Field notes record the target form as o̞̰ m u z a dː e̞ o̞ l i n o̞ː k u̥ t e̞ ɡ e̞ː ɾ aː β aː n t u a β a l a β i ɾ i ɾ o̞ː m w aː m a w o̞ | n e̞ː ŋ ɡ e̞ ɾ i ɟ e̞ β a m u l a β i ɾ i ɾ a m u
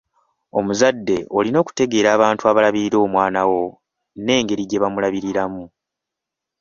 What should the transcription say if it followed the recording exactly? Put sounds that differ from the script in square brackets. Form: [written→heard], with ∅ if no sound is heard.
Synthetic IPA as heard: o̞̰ m u z a dː e̞ o̞ l i n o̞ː k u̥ t e̞ ɡ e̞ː ɾ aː β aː n t u a β a l a β i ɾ i ɾ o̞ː m w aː [m→n] a w o̞ | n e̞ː ŋ ɡ e̞ ɾ i ɟ e̞ β a m u l a β i ɾ i ɾ a m u